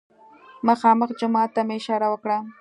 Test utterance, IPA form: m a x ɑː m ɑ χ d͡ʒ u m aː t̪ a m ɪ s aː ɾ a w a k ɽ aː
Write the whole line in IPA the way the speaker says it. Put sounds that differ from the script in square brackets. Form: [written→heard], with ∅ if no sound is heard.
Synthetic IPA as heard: m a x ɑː m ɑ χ d͡ʒ [u→ʊ] m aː t̪ a m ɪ [s→ʃ] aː ɾ a w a k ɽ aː